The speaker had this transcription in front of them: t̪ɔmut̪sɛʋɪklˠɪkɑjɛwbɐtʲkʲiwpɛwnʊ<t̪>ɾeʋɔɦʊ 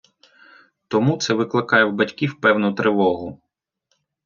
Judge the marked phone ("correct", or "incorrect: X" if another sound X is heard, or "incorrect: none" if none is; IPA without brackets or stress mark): correct